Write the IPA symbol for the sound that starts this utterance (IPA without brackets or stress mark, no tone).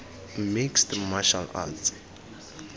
m